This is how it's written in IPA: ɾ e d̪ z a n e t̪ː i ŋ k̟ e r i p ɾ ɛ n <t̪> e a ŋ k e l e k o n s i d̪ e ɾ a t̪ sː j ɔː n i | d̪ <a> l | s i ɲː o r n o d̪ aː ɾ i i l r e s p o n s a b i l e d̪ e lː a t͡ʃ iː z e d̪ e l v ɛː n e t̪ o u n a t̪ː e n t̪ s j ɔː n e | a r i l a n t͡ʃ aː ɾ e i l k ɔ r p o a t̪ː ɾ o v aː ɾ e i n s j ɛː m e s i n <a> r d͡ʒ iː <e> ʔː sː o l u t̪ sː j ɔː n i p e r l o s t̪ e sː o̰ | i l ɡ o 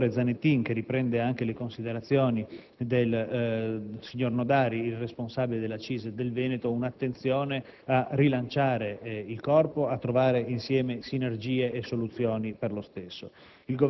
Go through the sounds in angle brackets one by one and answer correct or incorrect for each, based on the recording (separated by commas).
incorrect, incorrect, incorrect, correct